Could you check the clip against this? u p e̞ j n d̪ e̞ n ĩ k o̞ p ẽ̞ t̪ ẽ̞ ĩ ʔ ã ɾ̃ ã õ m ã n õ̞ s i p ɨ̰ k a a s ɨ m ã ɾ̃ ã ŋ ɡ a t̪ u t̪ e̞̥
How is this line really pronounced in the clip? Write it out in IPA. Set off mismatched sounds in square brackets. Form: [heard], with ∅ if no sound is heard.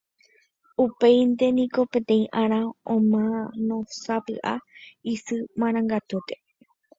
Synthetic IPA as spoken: u p e̞ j n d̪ e̞ n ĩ k o̞ p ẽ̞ t̪ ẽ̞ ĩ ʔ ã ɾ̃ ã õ m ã n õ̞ s [a] p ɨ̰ [ʔ] a [i] s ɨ m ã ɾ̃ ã ŋ ɡ a t̪ u t̪ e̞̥